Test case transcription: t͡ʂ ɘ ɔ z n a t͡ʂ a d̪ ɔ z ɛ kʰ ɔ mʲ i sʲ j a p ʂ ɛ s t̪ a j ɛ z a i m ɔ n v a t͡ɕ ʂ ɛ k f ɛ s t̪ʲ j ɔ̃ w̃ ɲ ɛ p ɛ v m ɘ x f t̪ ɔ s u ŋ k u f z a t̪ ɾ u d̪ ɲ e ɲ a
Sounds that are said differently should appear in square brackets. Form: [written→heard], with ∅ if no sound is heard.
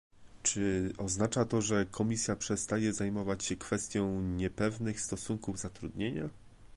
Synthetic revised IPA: t͡ʂ ɘ ɔ z n a t͡ʂ a [d̪→t̪] ɔ [z→ʐ] ɛ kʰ ɔ mʲ i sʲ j a p ʂ ɛ s t̪ a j ɛ z a [i→j] m ɔ [n→∅] v a t͡ɕ [ʂ→ɕ] ɛ k f ɛ s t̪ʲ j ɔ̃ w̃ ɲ ɛ p ɛ v [m→n] ɘ x [f→s] t̪ ɔ s u ŋ k u [f→v] z a t̪ ɾ u d̪ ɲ e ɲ a